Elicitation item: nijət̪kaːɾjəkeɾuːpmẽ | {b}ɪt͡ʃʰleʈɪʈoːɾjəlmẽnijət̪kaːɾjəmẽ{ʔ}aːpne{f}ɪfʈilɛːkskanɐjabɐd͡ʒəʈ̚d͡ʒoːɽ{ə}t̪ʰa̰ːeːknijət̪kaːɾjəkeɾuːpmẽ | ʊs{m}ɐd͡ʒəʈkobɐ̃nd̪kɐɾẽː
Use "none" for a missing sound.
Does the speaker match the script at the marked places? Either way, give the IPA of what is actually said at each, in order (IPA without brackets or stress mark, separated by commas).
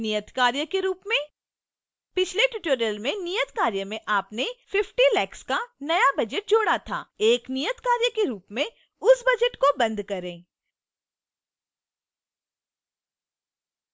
p, ʔ, f, a, b